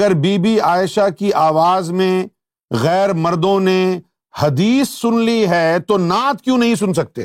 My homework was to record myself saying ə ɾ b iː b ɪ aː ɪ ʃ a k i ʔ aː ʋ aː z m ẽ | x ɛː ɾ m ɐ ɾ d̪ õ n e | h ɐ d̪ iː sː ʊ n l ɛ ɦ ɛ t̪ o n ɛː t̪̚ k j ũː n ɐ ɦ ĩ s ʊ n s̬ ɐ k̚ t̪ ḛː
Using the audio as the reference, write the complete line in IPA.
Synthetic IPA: ə ɾ b iː b i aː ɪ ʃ a k i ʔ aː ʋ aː z m ẽ | ɣ ɛː ɾ m ɐ ɾ d̪ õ n e | h ɐ d̪ iː sː ʊ n l i ɦ ɛ t̪ o n aː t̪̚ k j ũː n ɐ ɦ ĩ s ʊ n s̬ ɐ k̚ t̪ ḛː